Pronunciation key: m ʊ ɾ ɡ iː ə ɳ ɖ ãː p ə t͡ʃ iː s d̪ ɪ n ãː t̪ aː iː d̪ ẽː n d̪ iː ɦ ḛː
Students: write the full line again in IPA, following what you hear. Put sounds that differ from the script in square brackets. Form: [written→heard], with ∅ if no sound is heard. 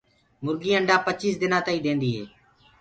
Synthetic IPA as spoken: m ʊ ɾ ɡ iː ə ɳ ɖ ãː p ə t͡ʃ iː s d̪ ɪ n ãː t̪ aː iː d̪ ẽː n d̪ iː ɦ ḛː